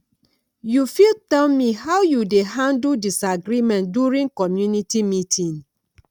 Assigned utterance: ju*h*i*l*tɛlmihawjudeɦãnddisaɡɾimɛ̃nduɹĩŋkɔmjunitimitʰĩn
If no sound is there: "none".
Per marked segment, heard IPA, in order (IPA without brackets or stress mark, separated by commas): f, l